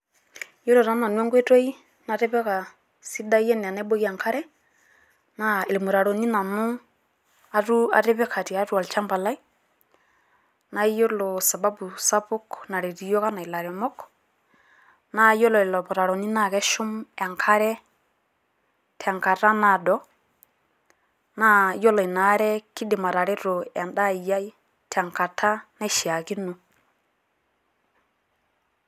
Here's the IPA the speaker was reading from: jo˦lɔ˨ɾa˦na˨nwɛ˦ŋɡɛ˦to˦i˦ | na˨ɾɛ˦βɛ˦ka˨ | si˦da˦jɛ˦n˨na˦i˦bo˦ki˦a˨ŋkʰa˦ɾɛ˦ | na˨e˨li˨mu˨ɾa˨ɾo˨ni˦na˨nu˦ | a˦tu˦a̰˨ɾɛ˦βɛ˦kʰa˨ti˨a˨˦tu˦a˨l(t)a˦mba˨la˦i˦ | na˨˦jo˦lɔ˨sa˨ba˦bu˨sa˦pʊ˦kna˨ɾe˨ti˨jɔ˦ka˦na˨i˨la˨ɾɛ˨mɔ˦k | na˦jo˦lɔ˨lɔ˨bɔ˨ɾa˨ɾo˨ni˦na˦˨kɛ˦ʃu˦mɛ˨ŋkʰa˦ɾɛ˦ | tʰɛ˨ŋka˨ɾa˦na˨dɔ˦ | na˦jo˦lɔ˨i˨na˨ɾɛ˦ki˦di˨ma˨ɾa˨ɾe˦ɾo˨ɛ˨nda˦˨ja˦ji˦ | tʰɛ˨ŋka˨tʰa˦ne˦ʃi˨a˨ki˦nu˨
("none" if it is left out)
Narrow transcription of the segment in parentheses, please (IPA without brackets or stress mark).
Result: t͡ʃ